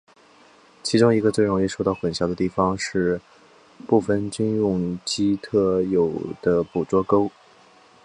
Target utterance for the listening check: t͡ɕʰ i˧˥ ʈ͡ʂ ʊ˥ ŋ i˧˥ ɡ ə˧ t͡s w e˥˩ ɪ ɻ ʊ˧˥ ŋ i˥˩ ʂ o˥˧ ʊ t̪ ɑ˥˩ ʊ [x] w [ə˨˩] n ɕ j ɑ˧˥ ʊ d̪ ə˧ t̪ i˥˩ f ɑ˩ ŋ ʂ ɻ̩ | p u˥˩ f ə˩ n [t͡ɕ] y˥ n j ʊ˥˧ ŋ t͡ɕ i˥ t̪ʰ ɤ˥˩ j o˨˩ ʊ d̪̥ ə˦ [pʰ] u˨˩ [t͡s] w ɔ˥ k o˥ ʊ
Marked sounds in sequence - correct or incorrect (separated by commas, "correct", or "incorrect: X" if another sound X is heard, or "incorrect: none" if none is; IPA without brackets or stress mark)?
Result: correct, correct, correct, incorrect: p, correct